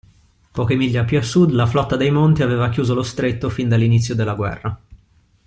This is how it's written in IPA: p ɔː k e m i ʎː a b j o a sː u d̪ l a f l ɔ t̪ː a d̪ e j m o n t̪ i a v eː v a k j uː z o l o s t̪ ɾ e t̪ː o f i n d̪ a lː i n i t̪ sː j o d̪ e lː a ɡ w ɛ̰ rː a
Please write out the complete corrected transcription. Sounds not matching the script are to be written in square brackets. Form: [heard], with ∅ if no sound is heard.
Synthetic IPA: p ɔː k e m i ʎː a [p] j [u] a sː u d̪ l a f l ɔ t̪ː a d̪ e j m o n t̪ i a v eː v a k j uː z o l o s t̪ ɾ e t̪ː o f i n d̪ a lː i n i t̪ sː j o d̪ e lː a ɡ w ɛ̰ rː a